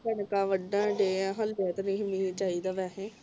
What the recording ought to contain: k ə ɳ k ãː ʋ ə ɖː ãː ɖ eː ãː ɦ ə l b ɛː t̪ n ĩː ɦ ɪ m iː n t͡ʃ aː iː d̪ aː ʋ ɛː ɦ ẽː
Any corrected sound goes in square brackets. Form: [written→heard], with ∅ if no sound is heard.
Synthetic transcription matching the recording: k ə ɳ k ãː ʋ ə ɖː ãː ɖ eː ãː ɦ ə l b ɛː t̪ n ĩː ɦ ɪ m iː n t͡ʃ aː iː d̪ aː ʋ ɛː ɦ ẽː